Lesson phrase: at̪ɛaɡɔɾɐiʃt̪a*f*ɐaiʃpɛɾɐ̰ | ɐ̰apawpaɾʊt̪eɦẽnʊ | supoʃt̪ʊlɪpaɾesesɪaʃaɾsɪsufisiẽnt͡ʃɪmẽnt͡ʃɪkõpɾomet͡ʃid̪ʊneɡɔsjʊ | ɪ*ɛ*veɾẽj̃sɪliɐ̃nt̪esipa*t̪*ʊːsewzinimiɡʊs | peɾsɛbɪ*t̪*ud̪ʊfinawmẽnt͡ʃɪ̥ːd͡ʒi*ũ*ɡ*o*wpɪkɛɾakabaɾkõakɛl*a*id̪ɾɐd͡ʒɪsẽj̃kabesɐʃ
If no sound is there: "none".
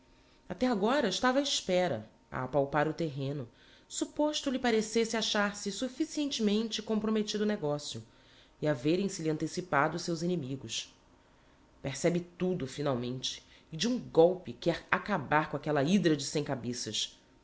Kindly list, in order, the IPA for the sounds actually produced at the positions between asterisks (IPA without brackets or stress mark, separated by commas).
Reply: v, a, d̪, t̪, ũ, ɔ, ɐ